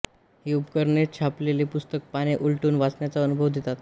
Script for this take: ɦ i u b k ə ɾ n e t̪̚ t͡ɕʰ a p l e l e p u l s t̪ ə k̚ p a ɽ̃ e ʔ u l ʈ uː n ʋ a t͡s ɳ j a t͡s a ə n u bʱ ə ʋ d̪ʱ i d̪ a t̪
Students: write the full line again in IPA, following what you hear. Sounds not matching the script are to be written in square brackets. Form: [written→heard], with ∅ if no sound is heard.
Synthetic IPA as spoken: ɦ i u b k ə ɾ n e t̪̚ t͡ɕʰ a p l e l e p u [l→∅] s t̪ ə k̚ p a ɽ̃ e ʔ u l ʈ uː n ʋ a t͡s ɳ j a t͡s a ə n u bʱ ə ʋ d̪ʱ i [d̪→t̪] a t̪

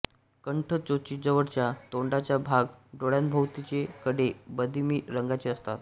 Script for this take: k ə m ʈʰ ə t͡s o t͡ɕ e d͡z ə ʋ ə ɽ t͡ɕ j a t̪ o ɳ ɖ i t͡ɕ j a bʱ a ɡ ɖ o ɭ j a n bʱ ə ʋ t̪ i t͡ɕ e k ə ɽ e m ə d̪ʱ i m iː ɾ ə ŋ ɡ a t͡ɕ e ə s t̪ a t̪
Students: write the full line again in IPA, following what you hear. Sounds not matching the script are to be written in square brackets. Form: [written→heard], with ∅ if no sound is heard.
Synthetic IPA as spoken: k ə [m→ɳ] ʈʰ ə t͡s o t͡ɕ [e→i] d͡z ə ʋ ə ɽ t͡ɕ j a t̪ o ɳ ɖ [i→a] t͡ɕ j a bʱ a ɡ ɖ o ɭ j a n bʱ ə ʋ t̪ i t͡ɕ e k ə ɽ e [m→b] ə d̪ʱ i m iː ɾ ə ŋ ɡ a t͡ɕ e ə s t̪ a t̪

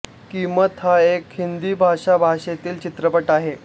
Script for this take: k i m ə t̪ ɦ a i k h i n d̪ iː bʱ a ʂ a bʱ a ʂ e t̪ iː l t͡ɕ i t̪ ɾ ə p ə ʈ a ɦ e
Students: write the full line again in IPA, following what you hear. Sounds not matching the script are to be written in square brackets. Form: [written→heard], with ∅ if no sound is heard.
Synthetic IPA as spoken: k i m ə t̪ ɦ a [i→e] k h i n d̪ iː bʱ a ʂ a bʱ a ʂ e t̪ iː l t͡ɕ i t̪ ɾ ə p ə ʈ a ɦ e

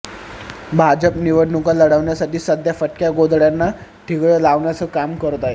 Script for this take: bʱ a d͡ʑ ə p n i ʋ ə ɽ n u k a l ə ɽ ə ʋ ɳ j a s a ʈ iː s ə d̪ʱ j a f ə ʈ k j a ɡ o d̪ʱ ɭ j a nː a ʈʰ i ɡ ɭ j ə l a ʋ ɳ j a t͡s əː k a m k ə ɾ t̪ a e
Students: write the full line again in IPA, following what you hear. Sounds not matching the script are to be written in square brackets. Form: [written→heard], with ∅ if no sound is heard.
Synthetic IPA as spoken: bʱ a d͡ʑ ə p n i ʋ ə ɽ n u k a l ə ɽ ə ʋ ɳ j a s a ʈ iː s ə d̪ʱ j a f ə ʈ k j a ɡ o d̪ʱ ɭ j a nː a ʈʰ i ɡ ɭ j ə l a ʋ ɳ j a t͡s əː k a m k ə ɾ t̪ a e

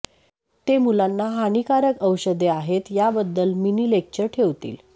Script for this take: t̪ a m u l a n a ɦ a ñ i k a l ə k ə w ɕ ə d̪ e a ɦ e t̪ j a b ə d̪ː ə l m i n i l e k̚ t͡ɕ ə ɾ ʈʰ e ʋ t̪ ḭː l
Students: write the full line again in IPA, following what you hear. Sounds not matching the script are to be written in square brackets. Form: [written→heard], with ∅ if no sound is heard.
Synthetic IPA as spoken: t̪ [a→e] m u l a [n→nː] a ɦ a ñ i k a [l→ɾ] ə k ə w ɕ ə d̪ e a ɦ e t̪ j a b ə d̪ː ə l m i n i l e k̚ t͡ɕ ə ɾ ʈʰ e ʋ t̪ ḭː l

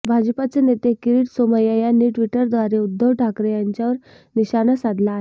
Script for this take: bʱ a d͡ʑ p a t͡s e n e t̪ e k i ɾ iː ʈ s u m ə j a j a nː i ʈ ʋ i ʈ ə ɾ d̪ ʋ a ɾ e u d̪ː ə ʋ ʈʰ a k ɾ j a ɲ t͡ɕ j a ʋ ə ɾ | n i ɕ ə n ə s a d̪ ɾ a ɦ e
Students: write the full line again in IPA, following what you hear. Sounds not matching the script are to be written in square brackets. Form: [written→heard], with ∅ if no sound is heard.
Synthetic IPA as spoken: bʱ a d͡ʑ p a t͡s e n e t̪ e k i ɾ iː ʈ s [u→o] m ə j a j a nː i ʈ ʋ i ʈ ə ɾ d̪ ʋ a ɾ e u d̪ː ə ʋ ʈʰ a k ɾ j a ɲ t͡ɕ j a ʋ ə ɾ | n i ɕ [ə→a] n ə s a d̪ [ɾ→l] a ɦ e

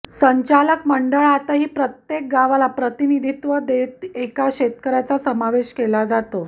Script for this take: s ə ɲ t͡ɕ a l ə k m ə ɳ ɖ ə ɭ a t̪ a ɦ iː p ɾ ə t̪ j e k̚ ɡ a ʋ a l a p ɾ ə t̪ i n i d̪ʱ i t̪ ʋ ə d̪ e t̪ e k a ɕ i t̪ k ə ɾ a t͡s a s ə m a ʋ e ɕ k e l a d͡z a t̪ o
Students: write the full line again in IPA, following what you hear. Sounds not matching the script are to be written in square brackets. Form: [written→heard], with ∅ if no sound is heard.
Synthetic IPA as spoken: s ə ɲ t͡ɕ a l ə k m ə ɳ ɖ ə ɭ a t̪ a ɦ iː p ɾ ə t̪ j e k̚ ɡ a ʋ a l a p ɾ ə t̪ i n i d̪ʱ i t̪ ʋ ə d̪ e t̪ e k a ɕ [i→e] t̪ k ə ɾ a t͡s a s ə m a ʋ e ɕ k e l a d͡z a t̪ o

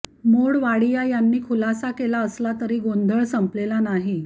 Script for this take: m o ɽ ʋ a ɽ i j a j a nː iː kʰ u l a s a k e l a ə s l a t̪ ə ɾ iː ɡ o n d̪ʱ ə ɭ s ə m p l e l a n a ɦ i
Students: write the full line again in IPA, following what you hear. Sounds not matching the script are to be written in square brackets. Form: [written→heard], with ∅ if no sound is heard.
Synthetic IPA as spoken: m o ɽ ʋ a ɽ i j a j a nː iː kʰ u l a s a k e l a ə s l a t̪ ə ɾ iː ɡ o n d̪ʱ ə ɭ s ə m p l e l a n a ɦ i

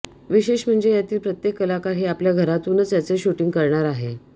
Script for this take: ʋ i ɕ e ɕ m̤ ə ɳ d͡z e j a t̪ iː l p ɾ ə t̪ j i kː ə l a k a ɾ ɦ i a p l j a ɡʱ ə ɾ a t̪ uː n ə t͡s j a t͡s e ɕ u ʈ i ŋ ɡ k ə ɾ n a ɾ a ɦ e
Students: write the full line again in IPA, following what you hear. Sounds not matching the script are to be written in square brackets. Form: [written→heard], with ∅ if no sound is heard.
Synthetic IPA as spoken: ʋ i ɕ e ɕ m̤ ə ɳ d͡z e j a t̪ iː l p ɾ ə t̪ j [i→e] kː ə l a k a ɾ ɦ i a p l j a ɡʱ ə ɾ a t̪ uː n ə t͡s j a t͡s e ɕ u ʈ i ŋ ɡ k ə ɾ [n→ɳ] a ɾ a ɦ e

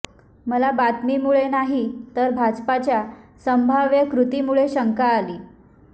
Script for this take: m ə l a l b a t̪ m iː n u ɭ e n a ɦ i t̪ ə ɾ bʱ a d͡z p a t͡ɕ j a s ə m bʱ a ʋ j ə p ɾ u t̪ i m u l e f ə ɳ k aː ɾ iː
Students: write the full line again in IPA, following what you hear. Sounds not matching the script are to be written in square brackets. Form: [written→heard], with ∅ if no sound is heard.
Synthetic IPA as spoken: m ə l a [l→∅] b a t̪ m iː [n→m] u ɭ e n a ɦ i t̪ ə ɾ bʱ a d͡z p a t͡ɕ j a s ə m bʱ a ʋ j ə [p→k] ɾ u t̪ i m u [l→ɭ] e [f→ɕ] ə [ɳ→ŋ] k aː [ɾ→l] iː

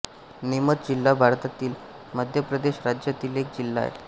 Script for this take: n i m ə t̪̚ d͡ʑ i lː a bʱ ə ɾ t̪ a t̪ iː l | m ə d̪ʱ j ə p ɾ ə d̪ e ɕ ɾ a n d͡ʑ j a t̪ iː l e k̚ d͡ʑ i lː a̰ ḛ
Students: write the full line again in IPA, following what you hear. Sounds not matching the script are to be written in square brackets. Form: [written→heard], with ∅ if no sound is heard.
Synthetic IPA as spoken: n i m ə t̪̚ d͡ʑ i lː a bʱ [ə→a] ɾ t̪ a t̪ iː l | m ə d̪ʱ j ə p ɾ ə d̪ e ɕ ɾ a [n→∅] d͡ʑ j a t̪ iː l e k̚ d͡ʑ i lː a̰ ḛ

